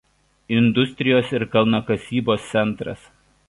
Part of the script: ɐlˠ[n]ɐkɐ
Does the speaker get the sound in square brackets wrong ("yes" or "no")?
no